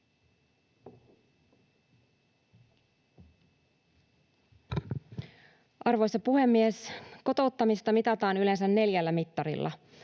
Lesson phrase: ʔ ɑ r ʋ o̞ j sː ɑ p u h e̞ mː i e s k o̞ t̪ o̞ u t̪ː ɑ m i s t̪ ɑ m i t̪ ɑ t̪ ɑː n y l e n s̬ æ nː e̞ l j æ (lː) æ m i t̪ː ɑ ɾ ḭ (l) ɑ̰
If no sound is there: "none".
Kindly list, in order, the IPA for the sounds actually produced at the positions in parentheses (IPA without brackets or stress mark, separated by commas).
lː, lː